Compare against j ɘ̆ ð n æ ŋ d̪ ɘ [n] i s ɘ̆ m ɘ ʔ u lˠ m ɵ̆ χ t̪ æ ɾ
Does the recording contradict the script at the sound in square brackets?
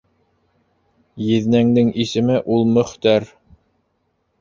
yes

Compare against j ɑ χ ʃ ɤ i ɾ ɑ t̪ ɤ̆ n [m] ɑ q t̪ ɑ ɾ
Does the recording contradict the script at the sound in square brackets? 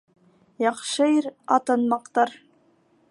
no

